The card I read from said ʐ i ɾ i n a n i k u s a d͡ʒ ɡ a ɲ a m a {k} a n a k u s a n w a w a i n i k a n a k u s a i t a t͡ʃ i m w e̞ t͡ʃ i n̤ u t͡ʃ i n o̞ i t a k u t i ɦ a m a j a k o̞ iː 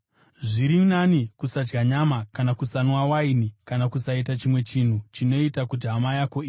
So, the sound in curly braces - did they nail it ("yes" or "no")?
yes